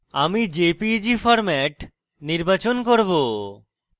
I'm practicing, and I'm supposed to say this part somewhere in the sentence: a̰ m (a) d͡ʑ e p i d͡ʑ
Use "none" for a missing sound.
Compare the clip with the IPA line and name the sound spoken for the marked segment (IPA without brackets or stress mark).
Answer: i